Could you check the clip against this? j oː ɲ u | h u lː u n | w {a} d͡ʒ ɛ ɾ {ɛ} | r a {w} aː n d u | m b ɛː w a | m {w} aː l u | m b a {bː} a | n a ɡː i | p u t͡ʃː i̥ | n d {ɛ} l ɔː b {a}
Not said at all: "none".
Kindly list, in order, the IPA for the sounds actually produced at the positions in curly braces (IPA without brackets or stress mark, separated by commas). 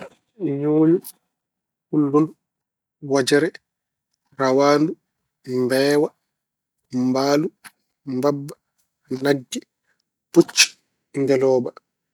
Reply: a, ɛ, w, b, bː, ɛ, a